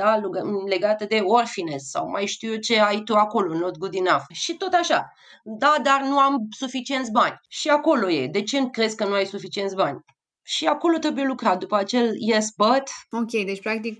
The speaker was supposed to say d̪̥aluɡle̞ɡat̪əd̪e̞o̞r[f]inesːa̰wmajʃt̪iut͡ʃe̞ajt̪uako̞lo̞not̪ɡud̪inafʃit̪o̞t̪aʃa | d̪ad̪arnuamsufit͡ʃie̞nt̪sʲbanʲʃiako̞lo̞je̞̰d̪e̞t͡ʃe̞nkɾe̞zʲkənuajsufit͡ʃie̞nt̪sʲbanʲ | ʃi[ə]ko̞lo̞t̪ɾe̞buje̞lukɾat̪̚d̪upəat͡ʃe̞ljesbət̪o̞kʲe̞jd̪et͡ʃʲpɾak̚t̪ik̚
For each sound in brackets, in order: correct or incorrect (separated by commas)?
correct, incorrect